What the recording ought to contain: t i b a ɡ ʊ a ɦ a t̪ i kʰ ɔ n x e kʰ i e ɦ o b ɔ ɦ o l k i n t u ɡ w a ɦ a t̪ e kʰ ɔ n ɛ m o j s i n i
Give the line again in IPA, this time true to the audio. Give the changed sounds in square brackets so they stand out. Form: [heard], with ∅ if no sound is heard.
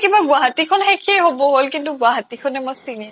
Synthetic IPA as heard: [k] i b a ɡ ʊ a ɦ a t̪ i kʰ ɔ n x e kʰ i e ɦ o b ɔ ɦ o l k i n t u ɡ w a ɦ a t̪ [i] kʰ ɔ n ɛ m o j s i n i